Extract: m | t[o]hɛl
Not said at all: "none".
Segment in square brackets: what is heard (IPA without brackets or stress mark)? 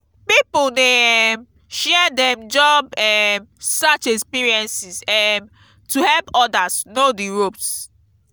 u